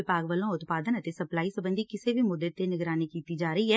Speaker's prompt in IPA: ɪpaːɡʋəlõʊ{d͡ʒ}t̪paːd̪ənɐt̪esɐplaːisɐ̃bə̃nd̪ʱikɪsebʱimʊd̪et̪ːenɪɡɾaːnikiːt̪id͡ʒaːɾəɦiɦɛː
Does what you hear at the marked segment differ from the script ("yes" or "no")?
yes